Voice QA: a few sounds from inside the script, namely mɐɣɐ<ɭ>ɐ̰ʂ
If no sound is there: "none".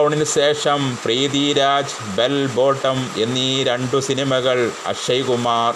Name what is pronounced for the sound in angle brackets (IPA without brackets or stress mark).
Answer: ɭ